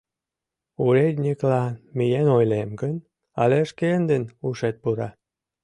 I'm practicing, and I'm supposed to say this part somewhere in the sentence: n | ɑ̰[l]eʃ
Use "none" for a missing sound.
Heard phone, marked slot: l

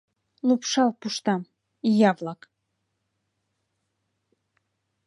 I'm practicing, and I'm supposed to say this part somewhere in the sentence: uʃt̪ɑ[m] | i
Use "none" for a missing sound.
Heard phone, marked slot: m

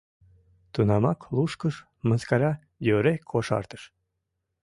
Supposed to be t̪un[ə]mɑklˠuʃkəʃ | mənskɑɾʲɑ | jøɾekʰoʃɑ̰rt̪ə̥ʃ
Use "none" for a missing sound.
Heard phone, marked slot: ɑ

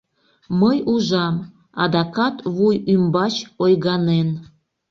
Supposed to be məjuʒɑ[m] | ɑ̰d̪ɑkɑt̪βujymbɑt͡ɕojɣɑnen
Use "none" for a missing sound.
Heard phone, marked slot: m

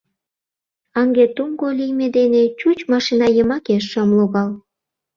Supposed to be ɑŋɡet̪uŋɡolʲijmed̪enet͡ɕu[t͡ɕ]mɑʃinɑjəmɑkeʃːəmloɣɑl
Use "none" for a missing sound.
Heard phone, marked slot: t͡ɕ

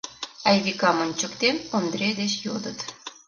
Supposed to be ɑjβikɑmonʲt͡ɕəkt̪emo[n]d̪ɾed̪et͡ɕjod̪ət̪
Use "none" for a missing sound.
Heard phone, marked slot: n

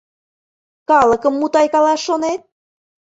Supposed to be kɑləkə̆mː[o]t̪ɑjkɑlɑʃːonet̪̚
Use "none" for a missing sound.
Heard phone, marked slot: u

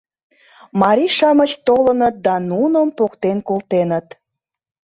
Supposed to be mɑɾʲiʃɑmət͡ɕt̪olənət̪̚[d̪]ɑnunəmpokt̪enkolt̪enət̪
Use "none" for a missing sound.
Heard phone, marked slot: d̪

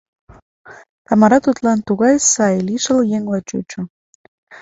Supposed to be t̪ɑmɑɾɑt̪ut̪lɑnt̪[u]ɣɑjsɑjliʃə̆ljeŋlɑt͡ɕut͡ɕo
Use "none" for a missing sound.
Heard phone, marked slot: u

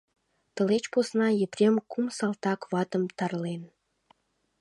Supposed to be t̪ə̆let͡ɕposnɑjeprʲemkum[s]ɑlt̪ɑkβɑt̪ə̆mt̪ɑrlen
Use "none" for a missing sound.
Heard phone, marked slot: s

